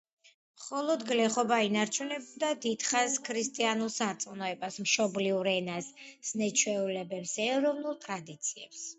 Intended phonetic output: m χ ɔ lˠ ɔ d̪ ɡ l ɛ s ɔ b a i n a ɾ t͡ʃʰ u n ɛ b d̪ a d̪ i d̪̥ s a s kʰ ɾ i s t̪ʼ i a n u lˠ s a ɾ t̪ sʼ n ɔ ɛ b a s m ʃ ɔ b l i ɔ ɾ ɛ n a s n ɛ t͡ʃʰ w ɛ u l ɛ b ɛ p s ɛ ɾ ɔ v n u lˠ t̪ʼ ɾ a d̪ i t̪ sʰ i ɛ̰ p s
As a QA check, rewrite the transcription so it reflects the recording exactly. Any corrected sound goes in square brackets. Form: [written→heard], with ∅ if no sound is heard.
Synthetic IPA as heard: m χ ɔ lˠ ɔ d̪ ɡ l ɛ [s→χ] ɔ b a i n a ɾ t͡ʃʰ u n ɛ b d̪ a d̪ i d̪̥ [s→χ] a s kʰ ɾ i s t̪ʼ i a n u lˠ s a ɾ t̪ sʼ n ɔ ɛ b a s m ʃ ɔ b l i [ɔ→u] ɾ ɛ n a s n ɛ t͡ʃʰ w ɛ u l ɛ b ɛ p s ɛ ɾ ɔ v n u lˠ t̪ʼ ɾ a d̪ i t̪ sʰ i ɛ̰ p s